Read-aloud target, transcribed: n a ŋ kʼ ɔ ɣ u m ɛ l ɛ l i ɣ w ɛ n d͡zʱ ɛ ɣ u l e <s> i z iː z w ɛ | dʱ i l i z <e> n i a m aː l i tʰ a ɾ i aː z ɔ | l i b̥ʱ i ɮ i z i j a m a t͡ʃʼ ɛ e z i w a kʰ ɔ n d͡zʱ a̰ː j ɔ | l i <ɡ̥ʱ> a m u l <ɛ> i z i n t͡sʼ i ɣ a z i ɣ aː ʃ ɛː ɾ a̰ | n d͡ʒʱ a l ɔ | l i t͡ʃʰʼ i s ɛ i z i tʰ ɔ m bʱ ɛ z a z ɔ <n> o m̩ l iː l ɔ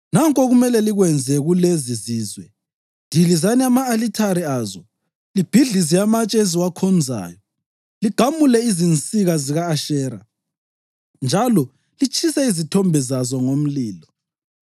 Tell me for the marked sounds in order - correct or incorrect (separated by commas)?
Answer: incorrect, incorrect, correct, correct, incorrect